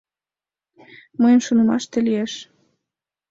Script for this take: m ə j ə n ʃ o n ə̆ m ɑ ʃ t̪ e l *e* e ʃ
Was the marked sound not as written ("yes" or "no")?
yes